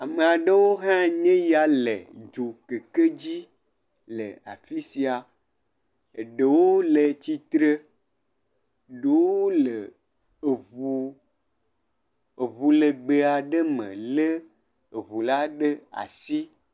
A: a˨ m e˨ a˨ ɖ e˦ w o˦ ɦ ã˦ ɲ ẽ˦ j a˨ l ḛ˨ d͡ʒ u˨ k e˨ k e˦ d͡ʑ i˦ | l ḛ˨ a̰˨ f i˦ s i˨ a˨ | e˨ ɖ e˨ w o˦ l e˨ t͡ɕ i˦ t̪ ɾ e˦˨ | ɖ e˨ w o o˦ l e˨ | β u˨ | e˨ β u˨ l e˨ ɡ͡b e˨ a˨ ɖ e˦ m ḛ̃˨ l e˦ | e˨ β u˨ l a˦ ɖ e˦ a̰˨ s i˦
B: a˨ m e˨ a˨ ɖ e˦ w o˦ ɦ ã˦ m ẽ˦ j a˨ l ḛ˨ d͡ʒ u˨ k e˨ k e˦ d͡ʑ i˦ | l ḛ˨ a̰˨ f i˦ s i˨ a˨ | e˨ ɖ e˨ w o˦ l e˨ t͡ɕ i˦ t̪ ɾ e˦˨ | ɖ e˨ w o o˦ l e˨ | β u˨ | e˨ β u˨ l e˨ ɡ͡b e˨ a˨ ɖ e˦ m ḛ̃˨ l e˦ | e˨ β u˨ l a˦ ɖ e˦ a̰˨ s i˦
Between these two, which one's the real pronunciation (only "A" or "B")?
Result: A